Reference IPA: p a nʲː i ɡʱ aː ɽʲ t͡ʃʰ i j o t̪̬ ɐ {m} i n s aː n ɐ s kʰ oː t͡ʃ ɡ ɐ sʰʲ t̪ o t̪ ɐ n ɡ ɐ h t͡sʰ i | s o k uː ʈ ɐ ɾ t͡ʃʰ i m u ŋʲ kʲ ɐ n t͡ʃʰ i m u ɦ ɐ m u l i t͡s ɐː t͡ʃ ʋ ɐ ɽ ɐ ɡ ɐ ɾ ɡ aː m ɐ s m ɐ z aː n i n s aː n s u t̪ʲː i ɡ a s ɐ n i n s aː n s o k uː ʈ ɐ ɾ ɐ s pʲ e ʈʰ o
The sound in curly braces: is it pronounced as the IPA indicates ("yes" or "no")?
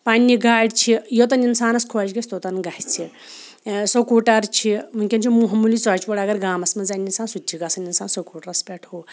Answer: no